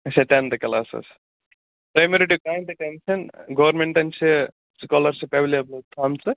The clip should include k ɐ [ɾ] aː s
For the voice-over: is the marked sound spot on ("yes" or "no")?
no